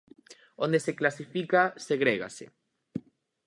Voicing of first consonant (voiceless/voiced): voiced